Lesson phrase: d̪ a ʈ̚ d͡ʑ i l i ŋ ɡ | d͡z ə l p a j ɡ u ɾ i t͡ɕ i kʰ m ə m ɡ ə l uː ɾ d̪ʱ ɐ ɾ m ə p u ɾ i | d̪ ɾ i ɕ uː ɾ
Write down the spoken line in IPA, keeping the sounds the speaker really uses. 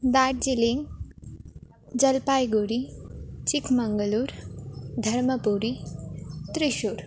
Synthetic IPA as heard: d̪ a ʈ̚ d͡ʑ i l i ŋ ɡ | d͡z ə l p a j ɡ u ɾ i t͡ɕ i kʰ m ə ŋ ɡ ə l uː ɾ d̪ʱ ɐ ɾ m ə p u ɾ i | t̪ ɾ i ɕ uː ɾ